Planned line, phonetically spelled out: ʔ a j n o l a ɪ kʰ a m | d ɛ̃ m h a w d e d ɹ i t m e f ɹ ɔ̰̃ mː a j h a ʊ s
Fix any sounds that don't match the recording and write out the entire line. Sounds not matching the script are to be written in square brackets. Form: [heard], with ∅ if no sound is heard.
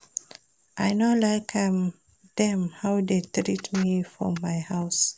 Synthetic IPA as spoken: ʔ a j n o l a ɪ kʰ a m | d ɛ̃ m h a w d e [t] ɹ i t m [i] f ɹ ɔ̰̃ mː a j h a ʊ s

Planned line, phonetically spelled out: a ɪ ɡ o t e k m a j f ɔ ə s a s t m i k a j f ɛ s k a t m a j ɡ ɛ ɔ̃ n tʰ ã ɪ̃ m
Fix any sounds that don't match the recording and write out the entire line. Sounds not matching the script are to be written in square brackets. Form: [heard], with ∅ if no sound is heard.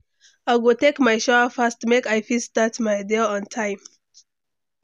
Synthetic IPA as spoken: a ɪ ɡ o t e k m a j [ʃ] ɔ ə [f] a s t m [e] k a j f [i] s [t] a t m a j [d] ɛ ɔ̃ n tʰ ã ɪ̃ m

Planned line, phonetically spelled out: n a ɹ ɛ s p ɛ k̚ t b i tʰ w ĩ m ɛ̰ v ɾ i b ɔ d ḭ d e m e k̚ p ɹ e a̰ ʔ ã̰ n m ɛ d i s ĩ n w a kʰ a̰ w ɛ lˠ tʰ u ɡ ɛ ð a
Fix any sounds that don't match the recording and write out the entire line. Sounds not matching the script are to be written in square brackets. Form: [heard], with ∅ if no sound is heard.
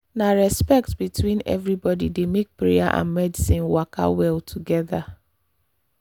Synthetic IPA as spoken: n a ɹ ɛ s p ɛ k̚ t b i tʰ w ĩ [n] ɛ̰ v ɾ i b ɔ d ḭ d e m e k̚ p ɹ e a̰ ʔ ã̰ n m ɛ d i s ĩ n w a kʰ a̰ w ɛ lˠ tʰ u ɡ ɛ ð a

